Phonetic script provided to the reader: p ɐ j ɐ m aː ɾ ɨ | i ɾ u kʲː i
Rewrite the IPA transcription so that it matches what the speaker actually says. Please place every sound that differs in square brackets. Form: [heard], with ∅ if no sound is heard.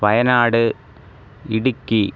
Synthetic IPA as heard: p ɐ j ɐ [n] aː [ɽ] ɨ | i [ɽ] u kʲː i